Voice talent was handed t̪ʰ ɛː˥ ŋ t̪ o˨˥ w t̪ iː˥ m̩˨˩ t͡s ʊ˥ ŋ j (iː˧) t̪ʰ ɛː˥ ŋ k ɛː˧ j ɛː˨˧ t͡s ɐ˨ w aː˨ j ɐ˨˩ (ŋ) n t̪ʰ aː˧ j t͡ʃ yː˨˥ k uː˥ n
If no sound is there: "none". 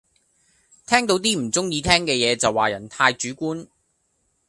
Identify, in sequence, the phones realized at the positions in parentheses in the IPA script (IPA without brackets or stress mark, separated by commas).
iː˧, none